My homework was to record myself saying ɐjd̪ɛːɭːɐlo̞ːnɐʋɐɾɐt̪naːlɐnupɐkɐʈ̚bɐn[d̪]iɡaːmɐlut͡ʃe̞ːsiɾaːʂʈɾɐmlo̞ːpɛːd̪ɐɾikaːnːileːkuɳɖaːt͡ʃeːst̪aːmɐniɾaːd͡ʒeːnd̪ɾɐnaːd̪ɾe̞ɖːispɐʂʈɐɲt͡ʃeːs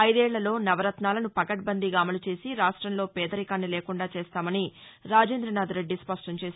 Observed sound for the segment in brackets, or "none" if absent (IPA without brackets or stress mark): d̪